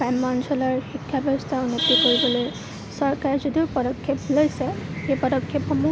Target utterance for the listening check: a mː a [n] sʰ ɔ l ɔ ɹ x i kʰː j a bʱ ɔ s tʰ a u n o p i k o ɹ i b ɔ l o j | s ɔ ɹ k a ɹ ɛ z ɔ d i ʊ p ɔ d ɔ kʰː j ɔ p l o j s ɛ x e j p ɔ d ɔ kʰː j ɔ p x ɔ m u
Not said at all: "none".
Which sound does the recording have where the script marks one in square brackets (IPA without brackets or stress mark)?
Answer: n